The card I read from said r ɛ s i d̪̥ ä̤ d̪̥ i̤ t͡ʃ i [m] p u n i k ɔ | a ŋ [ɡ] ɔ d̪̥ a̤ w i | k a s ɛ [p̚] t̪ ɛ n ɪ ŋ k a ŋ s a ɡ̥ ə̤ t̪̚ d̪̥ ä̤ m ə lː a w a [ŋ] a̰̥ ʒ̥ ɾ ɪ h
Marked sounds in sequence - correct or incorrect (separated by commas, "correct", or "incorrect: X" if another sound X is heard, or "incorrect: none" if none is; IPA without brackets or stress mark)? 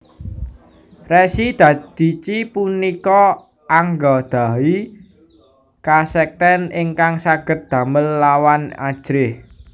incorrect: none, correct, incorrect: k̚, incorrect: n